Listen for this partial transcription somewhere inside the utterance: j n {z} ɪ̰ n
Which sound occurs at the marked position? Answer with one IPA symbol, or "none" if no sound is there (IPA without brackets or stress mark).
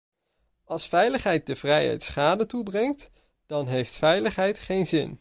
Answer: z